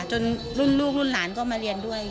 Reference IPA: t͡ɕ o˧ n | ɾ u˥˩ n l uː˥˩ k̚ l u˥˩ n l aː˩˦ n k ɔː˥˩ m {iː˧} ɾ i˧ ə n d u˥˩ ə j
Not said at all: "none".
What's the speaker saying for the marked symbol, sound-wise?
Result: aː˧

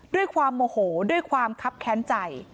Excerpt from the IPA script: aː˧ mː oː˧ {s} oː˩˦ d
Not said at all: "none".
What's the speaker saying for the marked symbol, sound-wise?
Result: h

